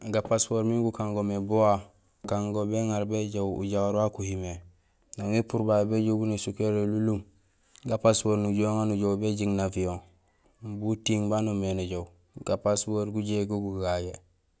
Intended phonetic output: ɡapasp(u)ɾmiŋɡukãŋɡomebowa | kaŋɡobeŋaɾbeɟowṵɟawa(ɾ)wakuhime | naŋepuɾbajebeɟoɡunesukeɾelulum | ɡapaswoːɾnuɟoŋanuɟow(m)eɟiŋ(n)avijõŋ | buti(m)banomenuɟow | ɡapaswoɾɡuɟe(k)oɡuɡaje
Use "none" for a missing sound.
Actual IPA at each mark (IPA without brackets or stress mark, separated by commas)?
o, ɾ, b, n, ŋ, ɡ